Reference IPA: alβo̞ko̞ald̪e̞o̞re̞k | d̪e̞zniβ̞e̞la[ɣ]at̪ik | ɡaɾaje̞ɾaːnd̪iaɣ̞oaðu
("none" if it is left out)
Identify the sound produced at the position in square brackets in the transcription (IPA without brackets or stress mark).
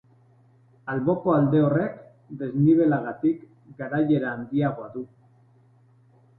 ɣ